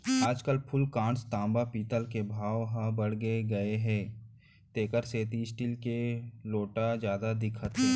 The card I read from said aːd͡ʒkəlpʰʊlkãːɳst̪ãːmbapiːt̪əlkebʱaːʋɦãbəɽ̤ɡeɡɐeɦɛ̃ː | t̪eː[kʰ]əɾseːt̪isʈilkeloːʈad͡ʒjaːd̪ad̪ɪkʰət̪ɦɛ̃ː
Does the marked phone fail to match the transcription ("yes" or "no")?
yes